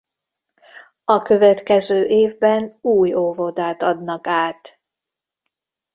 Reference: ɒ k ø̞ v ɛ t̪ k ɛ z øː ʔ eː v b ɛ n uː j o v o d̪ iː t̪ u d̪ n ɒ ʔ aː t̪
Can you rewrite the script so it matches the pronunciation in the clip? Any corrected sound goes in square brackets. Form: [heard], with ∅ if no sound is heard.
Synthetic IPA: ɒ k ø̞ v ɛ t̪ k ɛ z øː ʔ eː v b ɛ n uː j o v o d̪ [aː] t̪ [ɒ] d̪ n ɒ [k] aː t̪